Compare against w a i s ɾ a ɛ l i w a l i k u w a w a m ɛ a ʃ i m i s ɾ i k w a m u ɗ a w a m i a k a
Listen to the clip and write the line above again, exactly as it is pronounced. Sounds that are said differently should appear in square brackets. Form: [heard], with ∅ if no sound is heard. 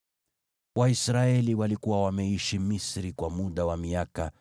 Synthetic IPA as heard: w a i s ɾ a ɛ l i w a l i k u w a w a m ɛ [i] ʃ i m i s ɾ i k w a m u ɗ a w a m i a k a